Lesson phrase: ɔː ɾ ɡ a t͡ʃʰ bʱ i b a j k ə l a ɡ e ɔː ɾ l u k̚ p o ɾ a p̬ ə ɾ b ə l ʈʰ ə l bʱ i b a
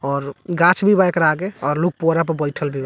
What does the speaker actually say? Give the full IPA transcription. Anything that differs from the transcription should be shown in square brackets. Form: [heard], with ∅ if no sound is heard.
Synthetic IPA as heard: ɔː ɾ ɡ a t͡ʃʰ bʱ i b a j k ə [ɾ] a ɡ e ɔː ɾ l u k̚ p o ɾ a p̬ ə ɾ b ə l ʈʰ ə l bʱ i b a